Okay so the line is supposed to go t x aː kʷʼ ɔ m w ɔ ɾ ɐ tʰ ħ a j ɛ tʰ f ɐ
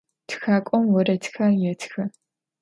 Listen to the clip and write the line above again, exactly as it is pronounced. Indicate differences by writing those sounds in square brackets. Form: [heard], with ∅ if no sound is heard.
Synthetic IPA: t x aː kʷʼ ɔ m w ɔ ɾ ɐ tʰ [x] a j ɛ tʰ [x] ɐ